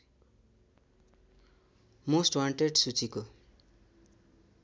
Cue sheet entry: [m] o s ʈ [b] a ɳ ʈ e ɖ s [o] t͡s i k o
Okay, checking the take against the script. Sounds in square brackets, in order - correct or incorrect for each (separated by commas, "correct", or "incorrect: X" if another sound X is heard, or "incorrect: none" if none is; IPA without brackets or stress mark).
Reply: correct, incorrect: w, incorrect: u